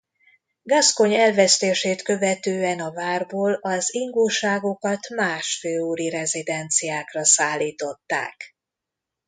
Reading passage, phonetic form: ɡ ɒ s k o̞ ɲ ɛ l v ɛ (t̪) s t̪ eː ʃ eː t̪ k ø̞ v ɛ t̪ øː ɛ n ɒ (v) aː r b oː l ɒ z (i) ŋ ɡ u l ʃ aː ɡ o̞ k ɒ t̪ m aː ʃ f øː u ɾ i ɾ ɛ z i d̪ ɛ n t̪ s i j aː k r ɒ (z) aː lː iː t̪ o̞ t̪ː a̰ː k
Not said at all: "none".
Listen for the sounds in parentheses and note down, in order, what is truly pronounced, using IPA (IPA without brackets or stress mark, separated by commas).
none, v, i, s